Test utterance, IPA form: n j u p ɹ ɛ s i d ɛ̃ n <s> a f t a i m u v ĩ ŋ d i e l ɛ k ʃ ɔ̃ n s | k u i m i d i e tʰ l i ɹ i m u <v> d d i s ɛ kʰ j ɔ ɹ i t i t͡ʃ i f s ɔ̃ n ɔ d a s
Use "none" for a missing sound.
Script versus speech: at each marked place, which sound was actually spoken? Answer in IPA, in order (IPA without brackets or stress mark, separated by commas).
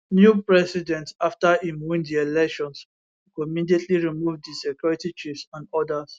t, v